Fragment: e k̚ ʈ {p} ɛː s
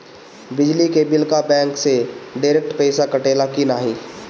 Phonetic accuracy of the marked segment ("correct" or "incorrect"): correct